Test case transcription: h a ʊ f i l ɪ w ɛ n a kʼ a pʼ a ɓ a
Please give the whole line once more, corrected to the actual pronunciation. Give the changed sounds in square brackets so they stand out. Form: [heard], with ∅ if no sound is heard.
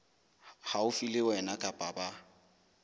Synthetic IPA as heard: h a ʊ f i l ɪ w ɛ n a kʼ a pʼ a [b] a

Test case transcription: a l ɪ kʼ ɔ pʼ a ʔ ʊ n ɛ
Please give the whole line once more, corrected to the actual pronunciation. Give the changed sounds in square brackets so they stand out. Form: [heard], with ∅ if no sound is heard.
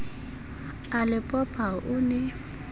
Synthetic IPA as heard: a l ɪ [pʼ] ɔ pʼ a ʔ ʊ n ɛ

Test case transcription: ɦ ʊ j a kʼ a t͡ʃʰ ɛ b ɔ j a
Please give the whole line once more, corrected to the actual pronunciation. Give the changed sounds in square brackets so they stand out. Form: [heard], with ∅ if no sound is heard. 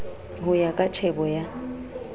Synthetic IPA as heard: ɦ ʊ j a kʼ a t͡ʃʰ ɛ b ɔ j a

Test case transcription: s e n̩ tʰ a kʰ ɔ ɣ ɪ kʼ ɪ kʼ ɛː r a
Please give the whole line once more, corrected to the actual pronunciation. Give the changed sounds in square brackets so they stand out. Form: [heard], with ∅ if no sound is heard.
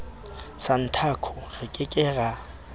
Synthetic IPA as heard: s [a] n̩ tʰ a kʰ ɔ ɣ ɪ kʼ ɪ kʼ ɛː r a

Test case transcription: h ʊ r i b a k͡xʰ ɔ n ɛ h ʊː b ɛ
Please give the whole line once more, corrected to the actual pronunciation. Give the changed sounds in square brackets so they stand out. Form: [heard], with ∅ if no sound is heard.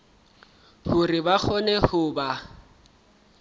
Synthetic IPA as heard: h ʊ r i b a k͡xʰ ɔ n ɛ h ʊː b [a]

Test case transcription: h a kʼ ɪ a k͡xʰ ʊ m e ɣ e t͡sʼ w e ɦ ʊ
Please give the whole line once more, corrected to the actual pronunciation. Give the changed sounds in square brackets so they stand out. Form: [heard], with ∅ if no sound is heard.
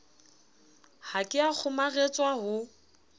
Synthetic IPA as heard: h a kʼ ɪ a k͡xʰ ʊ m [a] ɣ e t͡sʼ w [a] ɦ ʊ

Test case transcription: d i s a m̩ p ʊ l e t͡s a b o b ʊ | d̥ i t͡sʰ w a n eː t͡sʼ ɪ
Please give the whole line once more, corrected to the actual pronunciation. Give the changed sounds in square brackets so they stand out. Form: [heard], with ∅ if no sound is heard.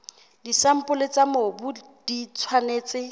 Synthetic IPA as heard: d i s a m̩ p ʊ l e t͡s a [m] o b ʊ | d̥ i t͡sʰ w a n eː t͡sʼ ɪ

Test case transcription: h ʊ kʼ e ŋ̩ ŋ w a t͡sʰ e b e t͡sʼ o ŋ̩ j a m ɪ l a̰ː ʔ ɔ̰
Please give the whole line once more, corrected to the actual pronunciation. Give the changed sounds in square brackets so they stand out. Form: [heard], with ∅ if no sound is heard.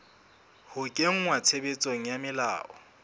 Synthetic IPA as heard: h ʊ kʼ e ŋ̩ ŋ w a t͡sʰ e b e t͡sʼ o ŋ̩ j a m ɪ l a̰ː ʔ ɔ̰

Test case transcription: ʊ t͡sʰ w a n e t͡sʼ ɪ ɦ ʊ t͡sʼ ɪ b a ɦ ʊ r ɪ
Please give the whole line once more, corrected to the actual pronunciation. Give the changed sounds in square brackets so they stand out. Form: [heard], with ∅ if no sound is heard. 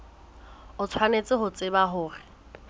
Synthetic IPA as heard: ʊ t͡sʰ w a n e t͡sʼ ɪ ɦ ʊ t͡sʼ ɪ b a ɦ [ʊː] r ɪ

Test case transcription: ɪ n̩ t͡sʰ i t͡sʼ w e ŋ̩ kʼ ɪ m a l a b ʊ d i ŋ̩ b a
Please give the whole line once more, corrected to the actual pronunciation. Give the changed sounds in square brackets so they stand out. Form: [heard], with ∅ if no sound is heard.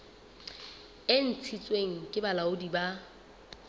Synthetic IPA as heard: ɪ n̩ t͡sʰ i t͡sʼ w e ŋ̩ kʼ ɪ [b] a l a [∅] ʊ d i [∅] b a

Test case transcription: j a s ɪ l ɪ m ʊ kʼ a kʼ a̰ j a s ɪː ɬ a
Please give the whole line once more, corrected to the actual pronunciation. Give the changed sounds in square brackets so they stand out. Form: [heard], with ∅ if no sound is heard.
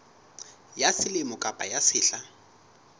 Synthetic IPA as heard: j a s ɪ l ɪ m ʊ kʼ a [pʼ] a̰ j a s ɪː ɬ a

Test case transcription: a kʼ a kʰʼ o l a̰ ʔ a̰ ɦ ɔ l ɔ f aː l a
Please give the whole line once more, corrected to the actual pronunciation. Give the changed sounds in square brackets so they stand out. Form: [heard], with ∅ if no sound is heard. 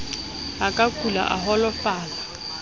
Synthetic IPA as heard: a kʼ a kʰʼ [u] l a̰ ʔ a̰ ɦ ɔ l ɔ f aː l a

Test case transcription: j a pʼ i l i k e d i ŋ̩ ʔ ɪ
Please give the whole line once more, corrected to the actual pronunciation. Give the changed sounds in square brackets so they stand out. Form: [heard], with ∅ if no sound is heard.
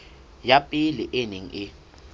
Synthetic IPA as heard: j a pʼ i l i [ʔ] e [n] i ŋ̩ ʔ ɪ

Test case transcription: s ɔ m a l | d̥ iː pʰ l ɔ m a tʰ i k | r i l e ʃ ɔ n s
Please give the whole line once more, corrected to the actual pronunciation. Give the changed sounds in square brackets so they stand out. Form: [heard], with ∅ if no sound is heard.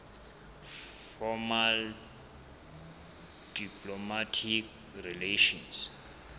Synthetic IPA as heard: [f] ɔ m a l | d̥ [i] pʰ l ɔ m a tʰ i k | r i l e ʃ ɔ n s

